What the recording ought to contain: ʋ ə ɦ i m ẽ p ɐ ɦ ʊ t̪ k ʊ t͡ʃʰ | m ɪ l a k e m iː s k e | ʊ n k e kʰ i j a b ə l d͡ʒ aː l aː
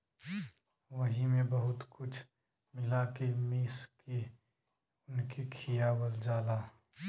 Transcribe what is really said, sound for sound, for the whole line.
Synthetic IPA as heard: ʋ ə ɦ i m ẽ b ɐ ɦ ʊ t̪ k ʊ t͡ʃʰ | m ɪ l a k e m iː s k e | ʊ n k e kʰ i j a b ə l d͡ʒ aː l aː